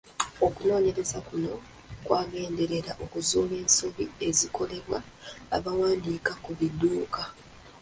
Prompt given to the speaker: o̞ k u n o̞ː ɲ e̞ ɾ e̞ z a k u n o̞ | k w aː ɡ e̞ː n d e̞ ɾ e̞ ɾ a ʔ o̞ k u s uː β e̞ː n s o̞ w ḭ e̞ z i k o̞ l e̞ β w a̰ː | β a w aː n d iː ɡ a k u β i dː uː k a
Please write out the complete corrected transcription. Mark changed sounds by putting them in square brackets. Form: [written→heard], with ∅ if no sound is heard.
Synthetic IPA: o̞ k u n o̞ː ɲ e̞ ɾ e̞ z a k u n o̞ | k w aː ɡ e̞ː n d e̞ ɾ e̞ ɾ a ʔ o̞ k u [s→z] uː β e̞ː n s o̞ [w→β] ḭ e̞ z i k o̞ l e̞ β w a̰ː | β a w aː n d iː [ɡ→k] a k u β i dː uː k a